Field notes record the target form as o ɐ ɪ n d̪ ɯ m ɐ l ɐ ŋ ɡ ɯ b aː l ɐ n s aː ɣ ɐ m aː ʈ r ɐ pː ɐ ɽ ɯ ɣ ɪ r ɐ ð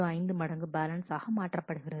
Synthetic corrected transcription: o ɐ ɪ n d̪ ɯ m ɐ ɽ ɐ ŋ ɡ ɯ b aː l ɐ n s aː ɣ ɐ m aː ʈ r ɐ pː ɐ ɽ ɯ ɣ ɪ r ɐ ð